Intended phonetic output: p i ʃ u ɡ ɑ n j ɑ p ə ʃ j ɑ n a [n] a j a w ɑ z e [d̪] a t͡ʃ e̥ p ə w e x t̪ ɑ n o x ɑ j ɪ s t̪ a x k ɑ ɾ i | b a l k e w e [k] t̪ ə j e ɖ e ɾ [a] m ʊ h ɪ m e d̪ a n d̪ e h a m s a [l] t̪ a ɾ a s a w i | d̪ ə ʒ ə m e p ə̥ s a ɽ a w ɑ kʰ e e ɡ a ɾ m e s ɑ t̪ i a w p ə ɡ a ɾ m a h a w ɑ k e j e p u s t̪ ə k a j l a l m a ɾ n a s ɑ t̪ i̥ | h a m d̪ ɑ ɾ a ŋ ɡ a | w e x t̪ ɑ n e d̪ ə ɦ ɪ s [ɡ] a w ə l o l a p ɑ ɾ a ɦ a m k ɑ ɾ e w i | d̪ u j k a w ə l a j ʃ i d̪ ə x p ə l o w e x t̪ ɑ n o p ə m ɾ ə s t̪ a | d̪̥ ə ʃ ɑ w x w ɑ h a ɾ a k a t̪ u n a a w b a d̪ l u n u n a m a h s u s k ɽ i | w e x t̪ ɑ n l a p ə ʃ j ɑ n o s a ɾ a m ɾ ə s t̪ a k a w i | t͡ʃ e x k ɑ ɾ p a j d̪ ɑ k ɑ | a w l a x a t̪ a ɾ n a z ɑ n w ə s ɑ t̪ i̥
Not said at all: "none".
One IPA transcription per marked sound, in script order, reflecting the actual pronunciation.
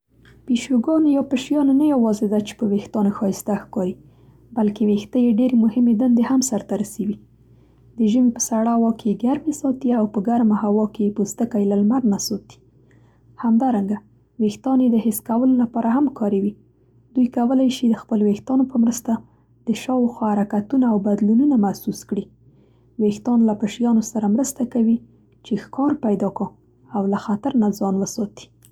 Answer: n, d̪, x, e, ɾ, k

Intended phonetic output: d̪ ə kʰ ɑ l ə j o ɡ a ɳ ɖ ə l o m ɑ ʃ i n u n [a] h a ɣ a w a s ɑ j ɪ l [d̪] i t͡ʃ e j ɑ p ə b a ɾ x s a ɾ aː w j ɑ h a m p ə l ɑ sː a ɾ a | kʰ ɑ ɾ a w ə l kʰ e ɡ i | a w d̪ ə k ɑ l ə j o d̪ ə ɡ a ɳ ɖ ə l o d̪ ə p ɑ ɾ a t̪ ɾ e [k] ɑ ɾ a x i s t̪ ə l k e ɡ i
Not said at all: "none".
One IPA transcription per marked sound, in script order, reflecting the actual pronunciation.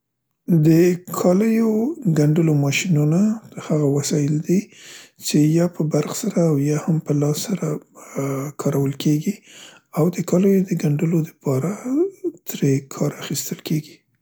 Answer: a, d̪, kʰ

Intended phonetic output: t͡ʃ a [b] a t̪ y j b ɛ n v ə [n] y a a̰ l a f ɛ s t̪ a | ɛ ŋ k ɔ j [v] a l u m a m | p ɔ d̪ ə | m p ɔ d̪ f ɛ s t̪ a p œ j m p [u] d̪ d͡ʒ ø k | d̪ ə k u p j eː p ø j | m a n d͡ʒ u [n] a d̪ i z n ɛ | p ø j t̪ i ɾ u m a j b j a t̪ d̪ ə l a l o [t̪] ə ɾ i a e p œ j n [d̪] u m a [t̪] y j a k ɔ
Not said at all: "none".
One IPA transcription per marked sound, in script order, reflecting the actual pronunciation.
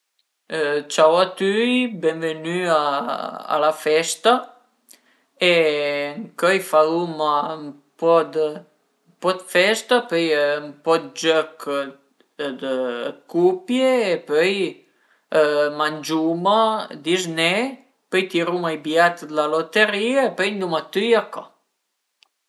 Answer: w, n, f, ɔ, m, t̪, d̪, t̪

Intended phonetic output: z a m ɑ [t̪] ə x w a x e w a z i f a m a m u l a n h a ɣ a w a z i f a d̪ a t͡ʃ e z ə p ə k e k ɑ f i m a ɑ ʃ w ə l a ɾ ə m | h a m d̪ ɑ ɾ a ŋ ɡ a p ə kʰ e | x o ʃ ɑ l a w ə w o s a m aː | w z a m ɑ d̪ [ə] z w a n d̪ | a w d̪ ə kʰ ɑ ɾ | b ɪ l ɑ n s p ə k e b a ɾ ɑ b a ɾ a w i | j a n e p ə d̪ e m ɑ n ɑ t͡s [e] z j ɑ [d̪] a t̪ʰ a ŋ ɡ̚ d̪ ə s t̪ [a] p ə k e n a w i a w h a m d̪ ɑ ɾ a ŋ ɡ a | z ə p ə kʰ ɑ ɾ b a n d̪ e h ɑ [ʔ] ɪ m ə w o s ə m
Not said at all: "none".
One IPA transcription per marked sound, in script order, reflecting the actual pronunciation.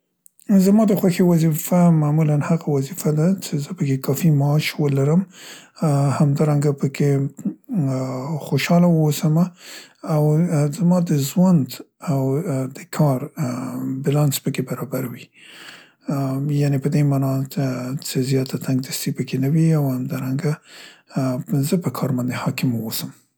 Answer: d̪, ə, e, t̪, i, k

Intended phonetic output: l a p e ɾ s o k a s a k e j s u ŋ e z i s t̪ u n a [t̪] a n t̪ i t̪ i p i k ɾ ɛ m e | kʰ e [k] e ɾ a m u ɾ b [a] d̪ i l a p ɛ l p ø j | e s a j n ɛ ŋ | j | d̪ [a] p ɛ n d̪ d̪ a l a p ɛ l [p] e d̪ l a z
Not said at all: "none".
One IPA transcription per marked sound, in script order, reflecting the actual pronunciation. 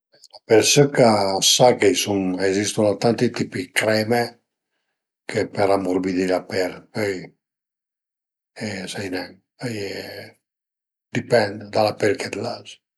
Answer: t̪, p, i, i, k

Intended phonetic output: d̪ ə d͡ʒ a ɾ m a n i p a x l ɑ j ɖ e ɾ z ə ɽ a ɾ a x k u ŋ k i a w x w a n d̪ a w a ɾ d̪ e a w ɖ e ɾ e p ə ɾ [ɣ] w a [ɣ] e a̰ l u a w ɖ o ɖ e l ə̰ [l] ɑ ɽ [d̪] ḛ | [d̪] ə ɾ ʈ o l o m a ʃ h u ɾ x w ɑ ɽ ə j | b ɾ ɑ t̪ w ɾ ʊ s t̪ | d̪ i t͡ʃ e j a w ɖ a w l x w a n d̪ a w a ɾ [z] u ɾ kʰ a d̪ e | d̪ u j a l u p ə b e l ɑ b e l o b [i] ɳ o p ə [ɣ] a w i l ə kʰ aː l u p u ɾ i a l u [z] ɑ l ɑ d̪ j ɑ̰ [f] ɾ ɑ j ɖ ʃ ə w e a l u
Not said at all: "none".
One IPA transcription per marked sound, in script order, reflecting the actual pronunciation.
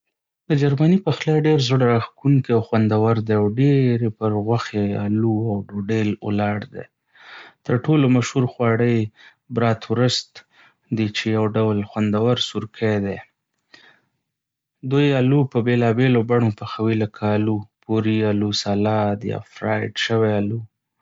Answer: ɣ, x, l, d̪, t̪, s, a, x, s, f

